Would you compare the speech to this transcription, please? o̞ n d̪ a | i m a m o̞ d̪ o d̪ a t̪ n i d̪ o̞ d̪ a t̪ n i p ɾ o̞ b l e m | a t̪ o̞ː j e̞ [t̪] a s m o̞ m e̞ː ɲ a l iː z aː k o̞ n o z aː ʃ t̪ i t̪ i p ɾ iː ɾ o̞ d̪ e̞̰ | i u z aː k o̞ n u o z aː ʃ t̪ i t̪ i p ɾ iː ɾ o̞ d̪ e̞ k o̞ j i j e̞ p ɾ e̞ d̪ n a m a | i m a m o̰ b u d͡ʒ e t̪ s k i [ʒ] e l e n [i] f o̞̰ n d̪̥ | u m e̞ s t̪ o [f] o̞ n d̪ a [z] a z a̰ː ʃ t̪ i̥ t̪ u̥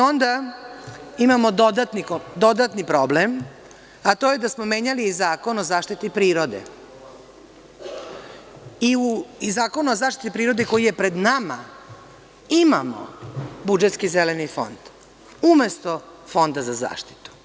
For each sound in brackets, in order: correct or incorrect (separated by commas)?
incorrect, incorrect, correct, correct, correct